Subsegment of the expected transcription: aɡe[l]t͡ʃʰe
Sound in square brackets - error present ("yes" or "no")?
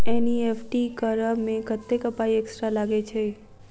yes